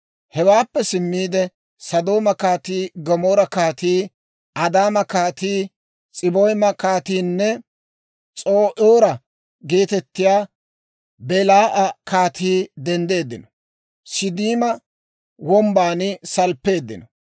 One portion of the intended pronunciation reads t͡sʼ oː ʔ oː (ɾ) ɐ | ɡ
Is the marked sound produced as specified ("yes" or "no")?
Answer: yes